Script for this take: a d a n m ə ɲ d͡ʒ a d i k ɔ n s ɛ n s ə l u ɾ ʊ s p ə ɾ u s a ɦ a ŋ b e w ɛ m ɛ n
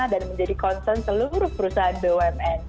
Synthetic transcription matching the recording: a d a n m ə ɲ d͡ʒ a d i k ɔ n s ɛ n s ə l u ɾ ʊ h p ə ɾ u s a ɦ a n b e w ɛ m ɛ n